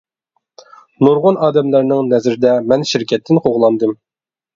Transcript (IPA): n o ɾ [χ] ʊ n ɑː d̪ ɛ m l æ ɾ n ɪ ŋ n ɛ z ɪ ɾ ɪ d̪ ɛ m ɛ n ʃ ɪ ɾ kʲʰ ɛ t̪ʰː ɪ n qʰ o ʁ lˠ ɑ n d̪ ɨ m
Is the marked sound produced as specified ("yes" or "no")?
no